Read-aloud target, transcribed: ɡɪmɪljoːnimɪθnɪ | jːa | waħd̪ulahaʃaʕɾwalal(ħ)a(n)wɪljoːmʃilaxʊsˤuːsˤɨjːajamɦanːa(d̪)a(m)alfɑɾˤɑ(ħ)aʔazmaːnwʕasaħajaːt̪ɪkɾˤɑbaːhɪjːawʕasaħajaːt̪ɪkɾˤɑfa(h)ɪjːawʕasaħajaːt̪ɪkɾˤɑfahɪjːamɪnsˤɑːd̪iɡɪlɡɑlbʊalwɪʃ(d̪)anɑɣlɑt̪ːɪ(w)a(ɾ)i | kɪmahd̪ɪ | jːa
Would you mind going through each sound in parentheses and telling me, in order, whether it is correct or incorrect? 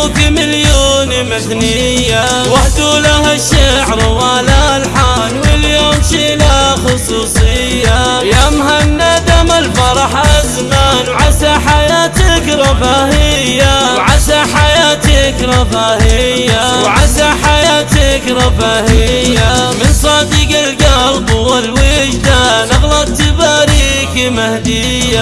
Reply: correct, correct, correct, correct, correct, correct, correct, incorrect: b, correct

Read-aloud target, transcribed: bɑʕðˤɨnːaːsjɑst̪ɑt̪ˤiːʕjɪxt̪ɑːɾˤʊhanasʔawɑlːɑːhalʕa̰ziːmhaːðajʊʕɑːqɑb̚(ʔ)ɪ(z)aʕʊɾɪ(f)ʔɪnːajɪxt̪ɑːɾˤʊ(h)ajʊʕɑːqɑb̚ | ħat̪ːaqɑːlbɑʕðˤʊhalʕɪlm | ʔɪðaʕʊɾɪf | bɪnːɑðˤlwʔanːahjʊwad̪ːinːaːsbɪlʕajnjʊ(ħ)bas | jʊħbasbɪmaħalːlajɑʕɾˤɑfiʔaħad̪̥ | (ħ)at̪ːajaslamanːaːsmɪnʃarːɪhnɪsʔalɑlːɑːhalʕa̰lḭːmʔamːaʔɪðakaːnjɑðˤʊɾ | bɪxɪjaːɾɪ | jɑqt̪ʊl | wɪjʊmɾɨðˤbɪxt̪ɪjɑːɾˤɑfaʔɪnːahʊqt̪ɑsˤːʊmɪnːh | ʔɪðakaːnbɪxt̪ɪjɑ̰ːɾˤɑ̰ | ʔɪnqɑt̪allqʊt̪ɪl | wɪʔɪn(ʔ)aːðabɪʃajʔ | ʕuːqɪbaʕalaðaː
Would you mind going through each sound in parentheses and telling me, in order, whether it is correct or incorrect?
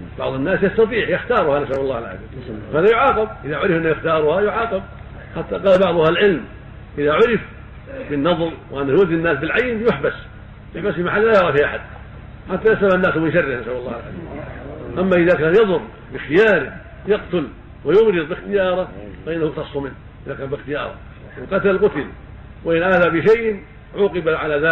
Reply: correct, incorrect: ð, correct, correct, correct, correct, correct

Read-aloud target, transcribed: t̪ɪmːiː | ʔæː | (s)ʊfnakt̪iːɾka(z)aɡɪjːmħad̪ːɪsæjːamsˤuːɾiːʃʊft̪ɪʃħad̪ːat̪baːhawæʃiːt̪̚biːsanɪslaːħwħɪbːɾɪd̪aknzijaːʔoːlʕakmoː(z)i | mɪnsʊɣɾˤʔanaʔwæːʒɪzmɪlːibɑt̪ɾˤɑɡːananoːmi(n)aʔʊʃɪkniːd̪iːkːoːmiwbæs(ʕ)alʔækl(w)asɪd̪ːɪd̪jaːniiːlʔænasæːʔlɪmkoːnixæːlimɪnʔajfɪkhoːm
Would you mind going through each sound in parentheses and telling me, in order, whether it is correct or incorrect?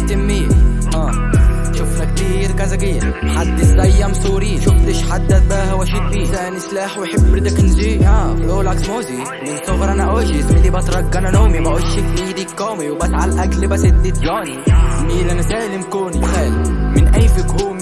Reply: incorrect: ʃ, correct, correct, incorrect: m, correct, incorrect: b

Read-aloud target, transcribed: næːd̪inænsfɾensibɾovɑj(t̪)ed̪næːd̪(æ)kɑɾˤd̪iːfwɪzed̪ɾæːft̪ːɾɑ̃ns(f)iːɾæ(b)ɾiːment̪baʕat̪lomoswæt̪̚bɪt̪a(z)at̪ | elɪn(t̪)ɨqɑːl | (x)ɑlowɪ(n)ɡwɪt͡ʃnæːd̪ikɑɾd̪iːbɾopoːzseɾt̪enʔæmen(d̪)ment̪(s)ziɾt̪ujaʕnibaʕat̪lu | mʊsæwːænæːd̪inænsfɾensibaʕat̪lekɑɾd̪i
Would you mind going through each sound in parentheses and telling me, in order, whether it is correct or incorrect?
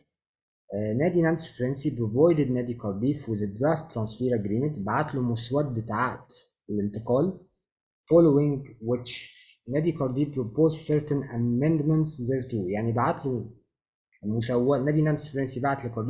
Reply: incorrect: d̪, incorrect: i, correct, incorrect: ɡ, incorrect: ʕ, correct, incorrect: f, incorrect: ŋ, correct, correct

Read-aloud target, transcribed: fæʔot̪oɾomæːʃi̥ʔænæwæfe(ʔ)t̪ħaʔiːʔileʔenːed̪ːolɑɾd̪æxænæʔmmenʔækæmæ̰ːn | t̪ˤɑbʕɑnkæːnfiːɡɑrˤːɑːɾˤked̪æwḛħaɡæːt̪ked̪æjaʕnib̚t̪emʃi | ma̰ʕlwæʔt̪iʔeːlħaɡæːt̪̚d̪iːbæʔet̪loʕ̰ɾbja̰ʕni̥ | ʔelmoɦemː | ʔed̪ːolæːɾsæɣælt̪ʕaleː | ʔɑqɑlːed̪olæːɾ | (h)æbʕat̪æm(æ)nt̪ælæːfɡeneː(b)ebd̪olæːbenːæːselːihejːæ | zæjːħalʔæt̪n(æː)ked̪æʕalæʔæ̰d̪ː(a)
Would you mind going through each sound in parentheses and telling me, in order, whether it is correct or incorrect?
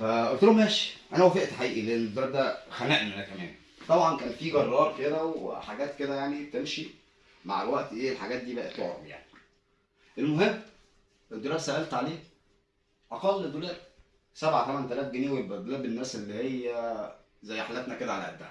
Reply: correct, incorrect: s, correct, incorrect: w, incorrect: æ, incorrect: æ

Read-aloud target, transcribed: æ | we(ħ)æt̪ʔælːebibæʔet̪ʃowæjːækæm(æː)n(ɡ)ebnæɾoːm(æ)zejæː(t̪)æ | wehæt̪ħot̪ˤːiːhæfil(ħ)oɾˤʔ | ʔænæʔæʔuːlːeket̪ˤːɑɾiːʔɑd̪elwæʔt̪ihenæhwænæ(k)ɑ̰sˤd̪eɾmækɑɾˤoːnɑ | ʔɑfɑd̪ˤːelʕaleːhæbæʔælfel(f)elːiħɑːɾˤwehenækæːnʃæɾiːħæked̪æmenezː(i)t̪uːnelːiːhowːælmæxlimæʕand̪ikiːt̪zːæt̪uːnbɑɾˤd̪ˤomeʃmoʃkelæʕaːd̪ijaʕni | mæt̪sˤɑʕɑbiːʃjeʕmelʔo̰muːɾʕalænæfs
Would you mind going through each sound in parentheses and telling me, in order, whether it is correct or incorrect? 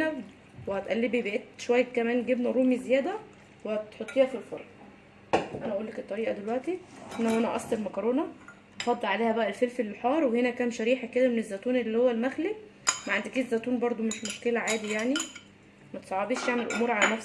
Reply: incorrect: h, correct, correct, incorrect: i, incorrect: d̪, incorrect: f, incorrect: ʔ, correct, incorrect: æ

